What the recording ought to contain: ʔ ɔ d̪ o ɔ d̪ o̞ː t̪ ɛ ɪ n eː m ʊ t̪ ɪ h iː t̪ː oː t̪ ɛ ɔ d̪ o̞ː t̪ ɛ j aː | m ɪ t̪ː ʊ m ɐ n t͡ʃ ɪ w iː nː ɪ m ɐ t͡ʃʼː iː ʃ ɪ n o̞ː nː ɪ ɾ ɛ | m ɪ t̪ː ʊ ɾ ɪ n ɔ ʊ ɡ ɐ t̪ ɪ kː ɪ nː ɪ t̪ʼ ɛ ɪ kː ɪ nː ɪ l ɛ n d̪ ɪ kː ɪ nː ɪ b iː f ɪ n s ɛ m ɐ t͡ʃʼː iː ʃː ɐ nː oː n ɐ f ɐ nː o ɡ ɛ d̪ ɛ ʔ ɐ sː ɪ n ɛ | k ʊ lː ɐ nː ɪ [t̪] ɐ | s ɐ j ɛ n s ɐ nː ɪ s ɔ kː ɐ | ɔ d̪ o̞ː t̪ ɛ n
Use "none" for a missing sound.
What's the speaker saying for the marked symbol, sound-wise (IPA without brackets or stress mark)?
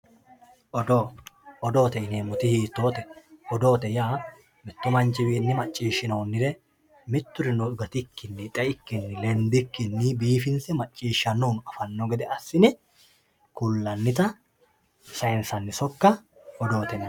t̪